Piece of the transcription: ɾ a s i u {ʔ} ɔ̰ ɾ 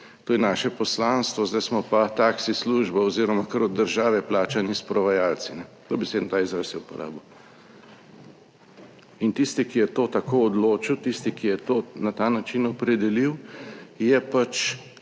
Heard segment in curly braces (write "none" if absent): p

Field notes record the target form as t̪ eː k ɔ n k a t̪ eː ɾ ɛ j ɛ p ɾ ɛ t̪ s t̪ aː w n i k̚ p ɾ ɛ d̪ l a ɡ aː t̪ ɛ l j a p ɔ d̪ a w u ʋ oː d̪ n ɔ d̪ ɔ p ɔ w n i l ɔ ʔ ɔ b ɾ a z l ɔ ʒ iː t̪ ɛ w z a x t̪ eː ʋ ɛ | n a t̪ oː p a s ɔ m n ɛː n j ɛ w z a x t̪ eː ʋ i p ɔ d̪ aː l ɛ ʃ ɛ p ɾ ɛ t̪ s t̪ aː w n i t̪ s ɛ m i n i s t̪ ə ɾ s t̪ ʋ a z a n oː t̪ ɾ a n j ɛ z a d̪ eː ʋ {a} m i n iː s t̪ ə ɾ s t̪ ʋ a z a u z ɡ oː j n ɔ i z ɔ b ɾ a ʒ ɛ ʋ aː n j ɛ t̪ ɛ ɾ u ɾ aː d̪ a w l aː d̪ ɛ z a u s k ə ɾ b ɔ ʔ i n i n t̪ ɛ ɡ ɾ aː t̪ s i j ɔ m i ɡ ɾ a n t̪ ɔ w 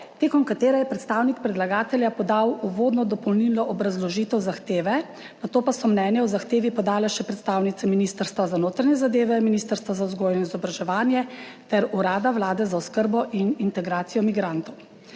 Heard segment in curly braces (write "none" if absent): ɛ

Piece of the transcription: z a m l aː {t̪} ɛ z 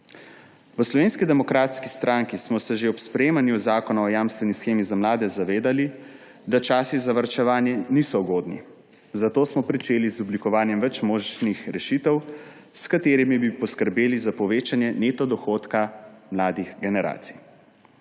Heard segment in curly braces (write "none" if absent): d̪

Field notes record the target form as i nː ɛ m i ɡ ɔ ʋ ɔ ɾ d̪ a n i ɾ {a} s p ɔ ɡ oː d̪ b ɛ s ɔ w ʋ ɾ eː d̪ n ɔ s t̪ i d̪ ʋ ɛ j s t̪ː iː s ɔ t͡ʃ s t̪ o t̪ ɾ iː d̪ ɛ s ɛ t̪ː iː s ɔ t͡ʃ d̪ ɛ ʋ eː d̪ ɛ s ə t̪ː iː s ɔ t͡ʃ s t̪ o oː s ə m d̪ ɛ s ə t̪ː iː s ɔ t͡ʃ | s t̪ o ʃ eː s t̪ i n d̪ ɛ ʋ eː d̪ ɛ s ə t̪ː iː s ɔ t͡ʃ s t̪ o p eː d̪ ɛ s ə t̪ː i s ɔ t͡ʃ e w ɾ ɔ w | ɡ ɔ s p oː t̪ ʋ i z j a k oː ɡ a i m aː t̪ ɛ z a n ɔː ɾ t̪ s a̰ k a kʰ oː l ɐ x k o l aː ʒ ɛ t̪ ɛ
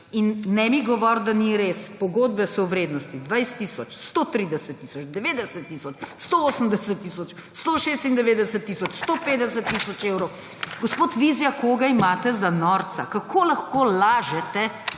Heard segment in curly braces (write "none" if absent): e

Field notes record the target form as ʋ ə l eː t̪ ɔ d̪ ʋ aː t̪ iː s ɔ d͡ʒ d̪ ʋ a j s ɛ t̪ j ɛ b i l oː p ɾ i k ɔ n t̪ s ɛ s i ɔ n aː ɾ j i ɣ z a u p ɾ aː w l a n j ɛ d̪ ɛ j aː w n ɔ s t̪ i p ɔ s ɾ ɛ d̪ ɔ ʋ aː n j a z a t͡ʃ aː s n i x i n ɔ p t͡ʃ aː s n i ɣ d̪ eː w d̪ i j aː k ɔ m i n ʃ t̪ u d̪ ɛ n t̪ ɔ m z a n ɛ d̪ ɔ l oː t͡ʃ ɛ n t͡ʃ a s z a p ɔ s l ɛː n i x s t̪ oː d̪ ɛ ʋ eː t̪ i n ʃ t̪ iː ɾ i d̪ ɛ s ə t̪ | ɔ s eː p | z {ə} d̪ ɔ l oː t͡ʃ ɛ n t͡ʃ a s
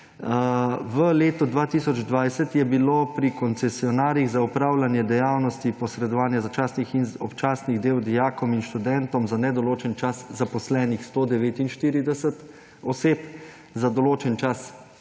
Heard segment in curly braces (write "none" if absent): a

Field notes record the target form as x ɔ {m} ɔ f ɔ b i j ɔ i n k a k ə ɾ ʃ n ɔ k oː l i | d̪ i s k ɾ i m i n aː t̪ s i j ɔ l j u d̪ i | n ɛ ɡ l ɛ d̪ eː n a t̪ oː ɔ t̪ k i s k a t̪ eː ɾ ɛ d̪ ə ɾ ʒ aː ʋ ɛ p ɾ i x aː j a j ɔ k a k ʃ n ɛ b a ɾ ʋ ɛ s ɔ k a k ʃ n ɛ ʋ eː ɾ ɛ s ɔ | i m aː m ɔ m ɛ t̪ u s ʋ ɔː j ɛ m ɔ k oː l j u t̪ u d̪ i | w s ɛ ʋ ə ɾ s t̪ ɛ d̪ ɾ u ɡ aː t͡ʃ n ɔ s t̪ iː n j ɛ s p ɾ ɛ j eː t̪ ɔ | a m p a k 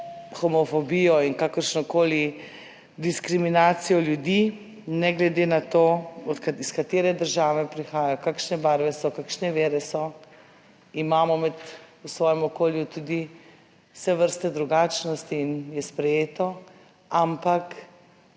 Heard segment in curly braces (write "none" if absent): m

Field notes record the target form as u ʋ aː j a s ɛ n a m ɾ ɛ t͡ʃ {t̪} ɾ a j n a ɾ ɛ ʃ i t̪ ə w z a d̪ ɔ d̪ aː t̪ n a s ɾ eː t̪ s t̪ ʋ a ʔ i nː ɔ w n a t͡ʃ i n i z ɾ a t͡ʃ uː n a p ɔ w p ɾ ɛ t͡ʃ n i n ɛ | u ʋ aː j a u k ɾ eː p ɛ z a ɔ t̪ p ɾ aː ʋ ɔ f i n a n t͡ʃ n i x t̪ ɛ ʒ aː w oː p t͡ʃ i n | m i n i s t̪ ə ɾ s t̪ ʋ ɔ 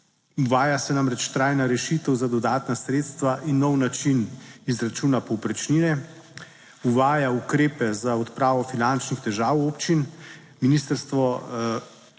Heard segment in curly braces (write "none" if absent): t̪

